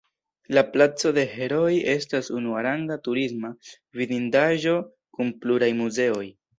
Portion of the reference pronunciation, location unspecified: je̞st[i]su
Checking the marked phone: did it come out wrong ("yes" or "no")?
yes